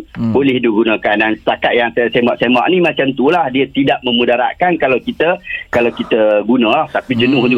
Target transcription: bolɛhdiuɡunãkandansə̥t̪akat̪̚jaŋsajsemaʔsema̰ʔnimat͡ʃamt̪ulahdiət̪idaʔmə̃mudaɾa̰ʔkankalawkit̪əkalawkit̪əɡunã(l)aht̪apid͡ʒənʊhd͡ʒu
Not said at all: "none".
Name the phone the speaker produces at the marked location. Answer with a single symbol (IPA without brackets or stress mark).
l